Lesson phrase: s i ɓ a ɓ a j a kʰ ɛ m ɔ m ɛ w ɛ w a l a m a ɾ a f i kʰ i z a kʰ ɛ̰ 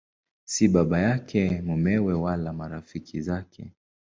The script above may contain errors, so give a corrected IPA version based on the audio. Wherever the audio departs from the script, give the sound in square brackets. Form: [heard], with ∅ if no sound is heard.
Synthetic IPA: s i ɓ a ɓ a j a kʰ ɛ m [u] m ɛ w ɛ w a l a m a ɾ a f i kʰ i z a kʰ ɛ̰